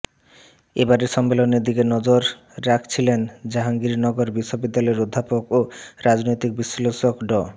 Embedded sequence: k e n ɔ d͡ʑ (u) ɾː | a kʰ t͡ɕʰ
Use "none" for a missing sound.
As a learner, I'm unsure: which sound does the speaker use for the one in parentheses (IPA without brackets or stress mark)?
o